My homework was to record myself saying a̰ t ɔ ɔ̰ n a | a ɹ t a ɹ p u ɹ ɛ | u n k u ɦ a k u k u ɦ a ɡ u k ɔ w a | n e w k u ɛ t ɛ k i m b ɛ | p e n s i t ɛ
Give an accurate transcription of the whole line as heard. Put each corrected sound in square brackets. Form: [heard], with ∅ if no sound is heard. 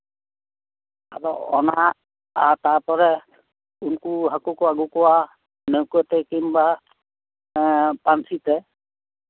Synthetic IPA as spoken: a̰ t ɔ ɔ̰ n a | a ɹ t a ɹ p [ɔ] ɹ ɛ | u n k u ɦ a k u k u [∅] a ɡ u k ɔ w a | n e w k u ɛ t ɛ k i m b [a] | p [a] n s i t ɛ

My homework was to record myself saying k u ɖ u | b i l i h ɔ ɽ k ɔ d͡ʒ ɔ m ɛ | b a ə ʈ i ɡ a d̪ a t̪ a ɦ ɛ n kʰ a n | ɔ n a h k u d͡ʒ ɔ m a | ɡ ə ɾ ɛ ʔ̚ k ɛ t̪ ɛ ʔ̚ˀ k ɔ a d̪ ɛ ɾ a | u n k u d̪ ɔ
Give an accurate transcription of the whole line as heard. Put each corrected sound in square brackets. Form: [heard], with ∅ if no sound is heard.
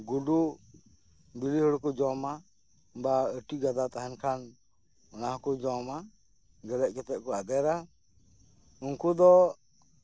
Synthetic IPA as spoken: [ɡ] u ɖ u | b i l i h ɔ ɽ k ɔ d͡ʒ ɔ m [a] | b a ə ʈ i ɡ a d̪ a t̪ a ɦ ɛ n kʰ a n | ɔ n a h k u d͡ʒ ɔ m a | ɡ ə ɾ ɛ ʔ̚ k ɛ t̪ ɛ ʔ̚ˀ k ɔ a d̪ ɛ ɾ a | u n k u d̪ ɔ

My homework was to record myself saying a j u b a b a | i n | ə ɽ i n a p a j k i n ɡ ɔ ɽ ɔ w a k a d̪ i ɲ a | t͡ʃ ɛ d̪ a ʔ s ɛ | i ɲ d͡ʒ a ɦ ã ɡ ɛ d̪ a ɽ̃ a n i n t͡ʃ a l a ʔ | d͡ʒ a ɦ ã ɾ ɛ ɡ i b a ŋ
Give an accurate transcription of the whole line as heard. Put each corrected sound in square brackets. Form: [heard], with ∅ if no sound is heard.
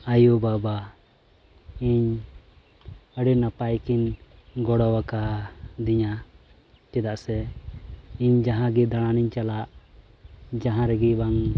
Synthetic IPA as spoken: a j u b a b a | i [ɲ] | ə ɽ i n a p a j k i n ɡ ɔ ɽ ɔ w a k a d̪ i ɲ a | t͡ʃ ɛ d̪ a ʔ s ɛ | i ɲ d͡ʒ a ɦ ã ɡ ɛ d̪ a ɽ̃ a n i [ɲ] t͡ʃ a l a ʔ | d͡ʒ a ɦ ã ɾ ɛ ɡ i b a ŋ

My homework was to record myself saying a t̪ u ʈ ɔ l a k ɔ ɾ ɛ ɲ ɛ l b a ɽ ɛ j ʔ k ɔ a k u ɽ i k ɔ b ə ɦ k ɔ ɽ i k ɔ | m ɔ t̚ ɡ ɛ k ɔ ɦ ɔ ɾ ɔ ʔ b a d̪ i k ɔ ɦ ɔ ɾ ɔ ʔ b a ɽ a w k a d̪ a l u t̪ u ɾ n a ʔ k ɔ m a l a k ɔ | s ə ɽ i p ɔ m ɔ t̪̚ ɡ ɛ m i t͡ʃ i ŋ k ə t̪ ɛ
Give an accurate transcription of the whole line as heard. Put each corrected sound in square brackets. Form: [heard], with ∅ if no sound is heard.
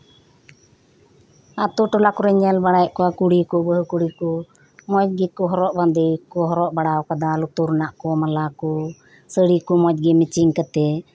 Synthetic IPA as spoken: a t̪ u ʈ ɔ l a k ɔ ɾ ɛ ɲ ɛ l b a ɽ [a] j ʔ k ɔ a k u ɽ i k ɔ b ə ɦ k [u] ɽ i k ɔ | m ɔ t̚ ɡ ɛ k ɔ ɦ ɔ ɾ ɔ ʔ b a d̪ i k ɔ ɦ ɔ ɾ ɔ ʔ b a ɽ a w k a d̪ a l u t̪ u ɾ n a ʔ k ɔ m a l a k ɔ | s ə ɽ i [k] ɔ m ɔ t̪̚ ɡ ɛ m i t͡ʃ i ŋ k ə t̪ ɛ

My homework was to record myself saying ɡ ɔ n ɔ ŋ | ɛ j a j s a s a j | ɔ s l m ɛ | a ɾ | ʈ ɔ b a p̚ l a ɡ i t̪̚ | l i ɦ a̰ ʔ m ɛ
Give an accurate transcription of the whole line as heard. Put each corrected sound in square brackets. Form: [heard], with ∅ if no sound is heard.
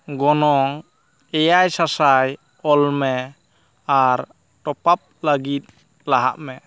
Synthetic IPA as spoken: ɡ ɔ n ɔ ŋ | ɛ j a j s a s a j | ɔ [∅] l m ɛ | a ɾ | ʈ ɔ [p] a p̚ l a ɡ i t̪̚ | l [a] ɦ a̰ ʔ m ɛ

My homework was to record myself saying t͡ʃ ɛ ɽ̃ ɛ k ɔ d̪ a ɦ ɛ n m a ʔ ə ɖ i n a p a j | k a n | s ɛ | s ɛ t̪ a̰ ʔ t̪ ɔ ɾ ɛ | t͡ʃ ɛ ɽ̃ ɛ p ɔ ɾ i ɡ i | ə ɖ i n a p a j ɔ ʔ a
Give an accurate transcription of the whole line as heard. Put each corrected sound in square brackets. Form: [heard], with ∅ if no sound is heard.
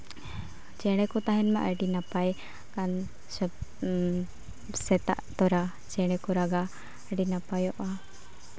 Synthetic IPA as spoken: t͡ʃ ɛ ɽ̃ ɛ k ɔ [t̪] a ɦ ɛ n m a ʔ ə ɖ i n a p a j | k a n | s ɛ | s ɛ t̪ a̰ ʔ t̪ ɔ ɾ [a] | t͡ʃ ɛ ɽ̃ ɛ [k] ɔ ɾ [a] ɡ [a] | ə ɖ i n a p a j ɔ ʔ a

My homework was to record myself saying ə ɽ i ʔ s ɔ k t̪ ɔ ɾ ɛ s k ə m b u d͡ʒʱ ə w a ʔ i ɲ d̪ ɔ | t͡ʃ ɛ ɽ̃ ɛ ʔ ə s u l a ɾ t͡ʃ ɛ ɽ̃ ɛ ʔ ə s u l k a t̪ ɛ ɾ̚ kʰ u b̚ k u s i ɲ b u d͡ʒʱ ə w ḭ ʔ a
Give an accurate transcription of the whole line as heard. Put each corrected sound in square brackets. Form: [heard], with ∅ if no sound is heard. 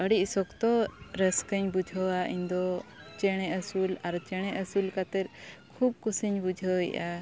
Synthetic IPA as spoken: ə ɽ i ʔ s ɔ k t̪ ɔ ɾ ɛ s k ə [ɲ] b u d͡ʒʱ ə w a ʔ i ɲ d̪ ɔ | t͡ʃ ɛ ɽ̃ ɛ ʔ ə s u l a ɾ t͡ʃ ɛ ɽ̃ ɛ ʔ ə s u l k a t̪ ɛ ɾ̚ kʰ u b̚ k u s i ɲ b u d͡ʒʱ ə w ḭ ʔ a

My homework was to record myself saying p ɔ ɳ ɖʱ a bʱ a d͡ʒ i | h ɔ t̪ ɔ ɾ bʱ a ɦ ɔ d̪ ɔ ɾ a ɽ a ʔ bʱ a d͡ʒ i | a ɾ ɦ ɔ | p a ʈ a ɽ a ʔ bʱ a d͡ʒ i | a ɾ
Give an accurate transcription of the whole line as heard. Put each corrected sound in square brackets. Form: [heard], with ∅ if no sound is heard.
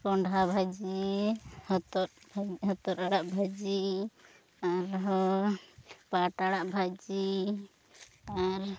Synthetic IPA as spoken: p ɔ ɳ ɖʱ a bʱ a d͡ʒ i | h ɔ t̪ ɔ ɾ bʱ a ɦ ɔ [t̪] ɔ ɾ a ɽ a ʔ bʱ a d͡ʒ i | a ɾ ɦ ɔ | p a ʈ a ɽ a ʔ bʱ a d͡ʒ i | a ɾ

